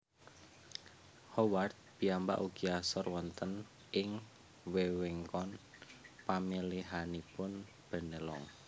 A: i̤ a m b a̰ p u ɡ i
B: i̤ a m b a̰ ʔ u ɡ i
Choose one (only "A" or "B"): B